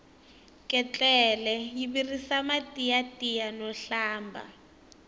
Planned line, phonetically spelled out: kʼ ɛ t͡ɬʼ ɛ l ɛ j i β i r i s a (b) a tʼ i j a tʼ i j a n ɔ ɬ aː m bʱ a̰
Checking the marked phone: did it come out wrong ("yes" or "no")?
yes